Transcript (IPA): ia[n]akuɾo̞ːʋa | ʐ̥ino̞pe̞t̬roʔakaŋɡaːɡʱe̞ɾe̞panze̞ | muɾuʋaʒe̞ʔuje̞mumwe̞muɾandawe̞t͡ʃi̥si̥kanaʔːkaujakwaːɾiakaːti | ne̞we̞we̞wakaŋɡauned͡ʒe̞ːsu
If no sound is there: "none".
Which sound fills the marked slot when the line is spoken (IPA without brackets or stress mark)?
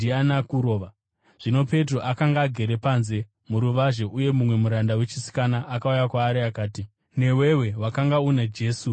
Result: n